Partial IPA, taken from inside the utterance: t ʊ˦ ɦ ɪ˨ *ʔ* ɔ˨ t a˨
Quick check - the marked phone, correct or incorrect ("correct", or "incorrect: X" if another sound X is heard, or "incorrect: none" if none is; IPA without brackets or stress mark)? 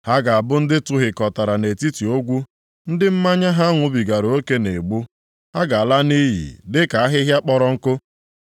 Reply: incorrect: k